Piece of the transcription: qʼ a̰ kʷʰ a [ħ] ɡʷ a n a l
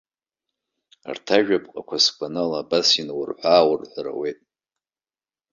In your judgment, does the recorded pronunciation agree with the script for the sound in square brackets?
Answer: no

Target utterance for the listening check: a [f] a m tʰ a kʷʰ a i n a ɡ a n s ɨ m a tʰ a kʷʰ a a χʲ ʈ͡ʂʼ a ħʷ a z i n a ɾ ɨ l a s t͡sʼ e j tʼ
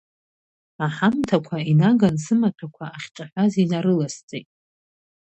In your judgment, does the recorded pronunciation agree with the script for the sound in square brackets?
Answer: no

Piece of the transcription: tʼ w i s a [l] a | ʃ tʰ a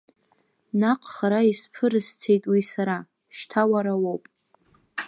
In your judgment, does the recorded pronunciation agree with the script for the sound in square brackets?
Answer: no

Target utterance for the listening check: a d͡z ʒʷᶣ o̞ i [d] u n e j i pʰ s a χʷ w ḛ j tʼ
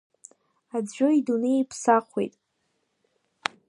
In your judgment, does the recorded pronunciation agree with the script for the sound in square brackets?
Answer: yes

